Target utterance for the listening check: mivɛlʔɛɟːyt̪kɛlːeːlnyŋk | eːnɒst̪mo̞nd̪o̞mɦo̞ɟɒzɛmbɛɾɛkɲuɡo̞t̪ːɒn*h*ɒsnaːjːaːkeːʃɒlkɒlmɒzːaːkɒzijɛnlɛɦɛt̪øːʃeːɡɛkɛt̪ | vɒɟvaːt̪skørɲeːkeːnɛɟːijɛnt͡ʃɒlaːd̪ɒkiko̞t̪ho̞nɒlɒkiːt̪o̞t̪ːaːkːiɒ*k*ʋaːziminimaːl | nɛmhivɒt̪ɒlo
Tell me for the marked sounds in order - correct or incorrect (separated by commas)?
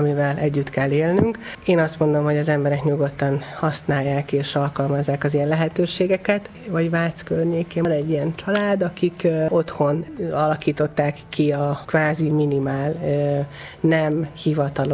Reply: correct, correct